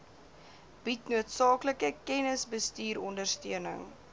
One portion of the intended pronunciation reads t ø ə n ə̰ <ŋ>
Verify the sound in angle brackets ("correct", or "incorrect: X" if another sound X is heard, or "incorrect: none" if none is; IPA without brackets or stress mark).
correct